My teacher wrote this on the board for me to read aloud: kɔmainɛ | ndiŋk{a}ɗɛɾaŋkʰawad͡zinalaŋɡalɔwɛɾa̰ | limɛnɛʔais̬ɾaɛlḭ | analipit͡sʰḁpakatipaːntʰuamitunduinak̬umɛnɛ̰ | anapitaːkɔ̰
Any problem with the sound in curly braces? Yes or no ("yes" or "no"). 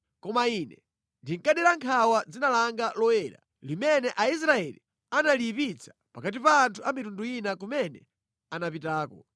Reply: no